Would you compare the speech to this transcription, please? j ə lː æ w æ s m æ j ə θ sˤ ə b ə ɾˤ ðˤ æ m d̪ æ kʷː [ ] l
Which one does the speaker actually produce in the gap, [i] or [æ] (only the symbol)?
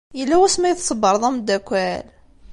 æ